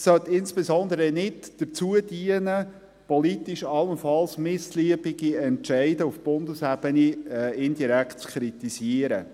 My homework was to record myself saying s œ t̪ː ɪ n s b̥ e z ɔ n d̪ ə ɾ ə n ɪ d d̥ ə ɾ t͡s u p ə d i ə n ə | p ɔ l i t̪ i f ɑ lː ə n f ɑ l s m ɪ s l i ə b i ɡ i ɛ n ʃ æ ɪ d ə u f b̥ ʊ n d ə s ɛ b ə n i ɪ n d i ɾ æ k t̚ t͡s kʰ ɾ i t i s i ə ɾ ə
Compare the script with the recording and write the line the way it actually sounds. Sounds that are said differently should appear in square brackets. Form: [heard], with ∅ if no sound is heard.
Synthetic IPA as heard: s œ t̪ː ɪ n s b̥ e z ɔ n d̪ ə ɾ ə n ɪ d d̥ ə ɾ t͡s u [∅] ə d i ə n ə | p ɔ l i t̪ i [ʃ] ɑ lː ə n f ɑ l s m ɪ s l i ə b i ɡ i ɛ n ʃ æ ɪ d ə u f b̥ ʊ n d ə s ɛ b ə n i ɪ n d i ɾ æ k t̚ t͡s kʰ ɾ i t i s i ə ɾ ə